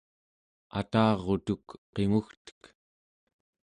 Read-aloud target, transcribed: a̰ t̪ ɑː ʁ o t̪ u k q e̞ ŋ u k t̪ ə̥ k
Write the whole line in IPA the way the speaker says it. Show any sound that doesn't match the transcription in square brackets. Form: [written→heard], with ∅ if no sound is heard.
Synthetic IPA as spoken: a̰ t̪ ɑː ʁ o t̪ u k q e̞ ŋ u [k→x] t̪ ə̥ k